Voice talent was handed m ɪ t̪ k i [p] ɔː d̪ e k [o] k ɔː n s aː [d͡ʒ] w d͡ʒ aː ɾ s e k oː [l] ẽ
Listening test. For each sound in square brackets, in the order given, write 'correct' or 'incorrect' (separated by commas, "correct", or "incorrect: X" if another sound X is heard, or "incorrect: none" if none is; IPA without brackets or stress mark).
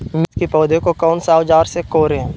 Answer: correct, correct, incorrect: none, incorrect: ɾ